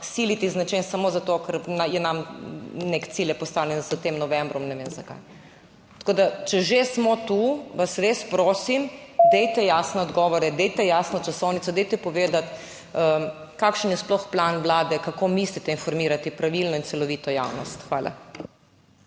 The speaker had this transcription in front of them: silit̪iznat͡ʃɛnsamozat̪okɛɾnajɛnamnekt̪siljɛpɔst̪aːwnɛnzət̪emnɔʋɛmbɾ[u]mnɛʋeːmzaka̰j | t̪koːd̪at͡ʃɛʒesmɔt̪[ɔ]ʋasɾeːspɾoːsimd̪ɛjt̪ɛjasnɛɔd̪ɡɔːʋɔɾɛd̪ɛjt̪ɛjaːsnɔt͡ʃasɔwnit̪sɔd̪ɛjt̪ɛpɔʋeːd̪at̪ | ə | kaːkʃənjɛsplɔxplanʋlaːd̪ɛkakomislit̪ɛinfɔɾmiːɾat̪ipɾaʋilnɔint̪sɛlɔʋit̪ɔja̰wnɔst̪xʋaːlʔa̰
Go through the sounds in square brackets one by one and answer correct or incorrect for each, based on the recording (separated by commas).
incorrect, incorrect